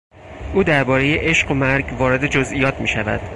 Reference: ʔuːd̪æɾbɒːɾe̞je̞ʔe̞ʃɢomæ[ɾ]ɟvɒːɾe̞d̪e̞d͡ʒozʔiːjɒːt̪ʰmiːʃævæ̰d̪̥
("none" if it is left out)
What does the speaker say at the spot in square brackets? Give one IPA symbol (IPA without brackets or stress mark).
ɾ